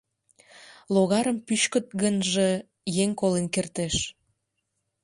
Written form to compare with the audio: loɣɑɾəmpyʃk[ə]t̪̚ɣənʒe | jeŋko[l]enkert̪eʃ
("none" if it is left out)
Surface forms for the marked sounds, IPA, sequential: ə, l

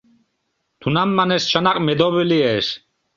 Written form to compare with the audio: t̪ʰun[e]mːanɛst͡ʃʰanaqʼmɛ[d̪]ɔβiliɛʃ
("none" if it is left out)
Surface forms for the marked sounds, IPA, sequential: a, d̪

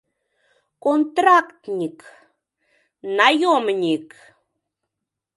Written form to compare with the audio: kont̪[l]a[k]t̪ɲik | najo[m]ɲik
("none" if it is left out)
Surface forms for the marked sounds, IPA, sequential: ɾ, k, m

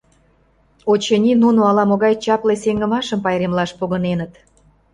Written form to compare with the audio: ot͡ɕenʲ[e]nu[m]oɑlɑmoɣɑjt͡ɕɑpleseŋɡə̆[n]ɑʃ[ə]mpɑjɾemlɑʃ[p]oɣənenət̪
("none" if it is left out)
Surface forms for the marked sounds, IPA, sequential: i, n, m, ə, p

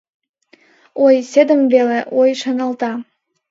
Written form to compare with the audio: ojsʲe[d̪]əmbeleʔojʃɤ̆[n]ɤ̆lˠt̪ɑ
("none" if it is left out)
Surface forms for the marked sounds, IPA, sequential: d̪, n

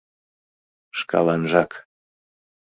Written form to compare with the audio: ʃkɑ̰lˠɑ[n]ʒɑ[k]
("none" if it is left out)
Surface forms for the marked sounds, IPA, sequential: n, k

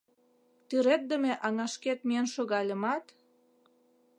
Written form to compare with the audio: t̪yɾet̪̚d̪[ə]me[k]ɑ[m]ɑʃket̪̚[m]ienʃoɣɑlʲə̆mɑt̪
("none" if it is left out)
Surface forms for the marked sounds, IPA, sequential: ə, ʔ, ŋ, m

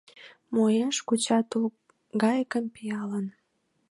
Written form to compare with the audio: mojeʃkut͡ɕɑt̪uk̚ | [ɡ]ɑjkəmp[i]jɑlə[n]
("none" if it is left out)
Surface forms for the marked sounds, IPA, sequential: ɡ, i, n

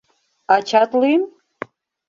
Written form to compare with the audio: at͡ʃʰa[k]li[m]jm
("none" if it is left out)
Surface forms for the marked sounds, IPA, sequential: t, none

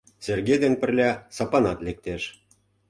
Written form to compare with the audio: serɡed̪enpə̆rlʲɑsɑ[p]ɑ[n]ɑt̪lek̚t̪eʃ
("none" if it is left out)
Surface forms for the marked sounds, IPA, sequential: p, n

